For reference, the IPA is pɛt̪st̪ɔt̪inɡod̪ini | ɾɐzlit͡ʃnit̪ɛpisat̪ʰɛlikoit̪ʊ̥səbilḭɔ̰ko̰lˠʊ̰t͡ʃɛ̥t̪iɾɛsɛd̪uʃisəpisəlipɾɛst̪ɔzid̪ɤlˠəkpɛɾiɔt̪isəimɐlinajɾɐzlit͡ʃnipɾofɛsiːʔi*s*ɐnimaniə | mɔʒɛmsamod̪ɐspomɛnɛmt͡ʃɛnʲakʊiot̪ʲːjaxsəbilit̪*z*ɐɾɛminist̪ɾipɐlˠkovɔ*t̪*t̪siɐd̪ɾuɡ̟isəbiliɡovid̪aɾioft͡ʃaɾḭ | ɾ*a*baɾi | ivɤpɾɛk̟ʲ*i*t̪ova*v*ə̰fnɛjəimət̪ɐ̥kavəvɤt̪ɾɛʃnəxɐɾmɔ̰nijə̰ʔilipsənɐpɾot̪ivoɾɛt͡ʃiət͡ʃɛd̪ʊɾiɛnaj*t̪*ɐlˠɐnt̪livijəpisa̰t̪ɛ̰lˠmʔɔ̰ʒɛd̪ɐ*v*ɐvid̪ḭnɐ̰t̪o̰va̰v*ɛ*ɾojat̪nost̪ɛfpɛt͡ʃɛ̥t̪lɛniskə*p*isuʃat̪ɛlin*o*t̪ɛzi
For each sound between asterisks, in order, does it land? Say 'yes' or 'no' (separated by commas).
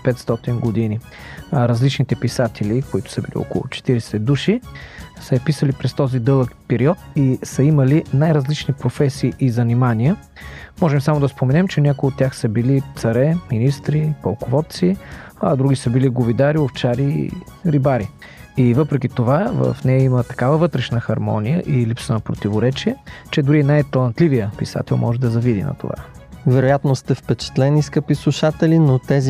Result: no, no, yes, no, yes, yes, yes, no, yes, yes, yes